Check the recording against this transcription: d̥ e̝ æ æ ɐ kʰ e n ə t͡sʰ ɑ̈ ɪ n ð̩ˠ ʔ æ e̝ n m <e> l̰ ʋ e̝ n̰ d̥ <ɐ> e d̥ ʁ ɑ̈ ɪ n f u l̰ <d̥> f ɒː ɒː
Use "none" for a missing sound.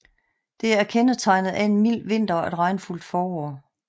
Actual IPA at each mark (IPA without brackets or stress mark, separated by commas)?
i, ɐ, d̥